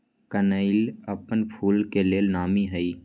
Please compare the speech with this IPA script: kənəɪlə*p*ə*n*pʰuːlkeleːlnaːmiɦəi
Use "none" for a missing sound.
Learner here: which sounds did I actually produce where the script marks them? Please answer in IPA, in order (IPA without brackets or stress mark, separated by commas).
p, n